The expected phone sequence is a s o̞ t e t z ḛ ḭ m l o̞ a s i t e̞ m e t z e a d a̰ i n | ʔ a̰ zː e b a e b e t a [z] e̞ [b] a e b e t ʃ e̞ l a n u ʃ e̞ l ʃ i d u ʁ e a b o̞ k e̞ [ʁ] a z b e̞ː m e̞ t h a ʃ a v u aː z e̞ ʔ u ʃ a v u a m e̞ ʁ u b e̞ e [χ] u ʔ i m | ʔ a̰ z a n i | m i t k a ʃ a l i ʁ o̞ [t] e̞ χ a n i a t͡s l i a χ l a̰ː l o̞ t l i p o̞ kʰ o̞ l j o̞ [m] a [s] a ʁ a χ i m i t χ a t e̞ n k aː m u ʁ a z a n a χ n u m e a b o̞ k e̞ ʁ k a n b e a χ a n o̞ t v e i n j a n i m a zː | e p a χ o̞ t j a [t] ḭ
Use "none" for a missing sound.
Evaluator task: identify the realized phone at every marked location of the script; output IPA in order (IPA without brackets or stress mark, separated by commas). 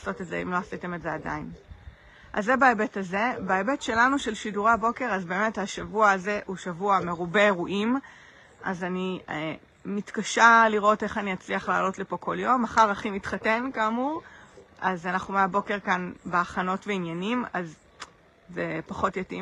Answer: z, b, ʁ, ʁ, t, m, χ, t